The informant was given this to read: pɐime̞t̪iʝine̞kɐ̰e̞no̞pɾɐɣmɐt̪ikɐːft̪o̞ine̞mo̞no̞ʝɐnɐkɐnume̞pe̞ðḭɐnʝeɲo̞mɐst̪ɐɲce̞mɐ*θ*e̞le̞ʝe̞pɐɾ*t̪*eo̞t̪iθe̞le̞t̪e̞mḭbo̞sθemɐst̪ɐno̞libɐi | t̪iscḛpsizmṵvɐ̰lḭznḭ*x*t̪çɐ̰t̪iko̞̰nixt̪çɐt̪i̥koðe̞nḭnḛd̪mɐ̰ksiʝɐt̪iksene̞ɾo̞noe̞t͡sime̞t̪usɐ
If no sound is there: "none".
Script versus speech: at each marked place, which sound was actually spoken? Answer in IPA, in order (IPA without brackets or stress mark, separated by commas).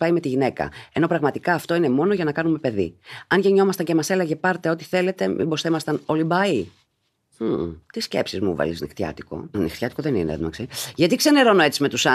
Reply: s, t̪, x